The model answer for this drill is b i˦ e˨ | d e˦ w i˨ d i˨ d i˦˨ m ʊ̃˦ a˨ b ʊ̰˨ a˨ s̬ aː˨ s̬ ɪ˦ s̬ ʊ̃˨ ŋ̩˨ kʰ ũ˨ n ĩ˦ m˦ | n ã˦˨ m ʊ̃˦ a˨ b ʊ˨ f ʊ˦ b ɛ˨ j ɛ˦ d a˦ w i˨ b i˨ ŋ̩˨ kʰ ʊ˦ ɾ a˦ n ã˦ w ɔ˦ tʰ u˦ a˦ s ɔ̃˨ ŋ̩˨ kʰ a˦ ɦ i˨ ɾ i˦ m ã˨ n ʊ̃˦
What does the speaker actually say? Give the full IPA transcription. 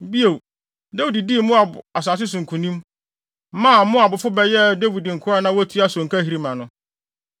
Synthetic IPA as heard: b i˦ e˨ | d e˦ w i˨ d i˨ d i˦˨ m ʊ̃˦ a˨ b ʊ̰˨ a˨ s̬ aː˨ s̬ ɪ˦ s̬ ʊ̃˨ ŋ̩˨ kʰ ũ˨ n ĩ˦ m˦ | m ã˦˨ m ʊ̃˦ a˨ b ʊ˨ f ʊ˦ b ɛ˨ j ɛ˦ d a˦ w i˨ d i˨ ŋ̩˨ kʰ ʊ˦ ɾ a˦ n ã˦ w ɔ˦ tʰ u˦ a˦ s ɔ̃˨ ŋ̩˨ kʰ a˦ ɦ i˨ ɾ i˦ m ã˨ n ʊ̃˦